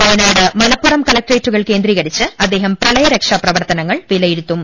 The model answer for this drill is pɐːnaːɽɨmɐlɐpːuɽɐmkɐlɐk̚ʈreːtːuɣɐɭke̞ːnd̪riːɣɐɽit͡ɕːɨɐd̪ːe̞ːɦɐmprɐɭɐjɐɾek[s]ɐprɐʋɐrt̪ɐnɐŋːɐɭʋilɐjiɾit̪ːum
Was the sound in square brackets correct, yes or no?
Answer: no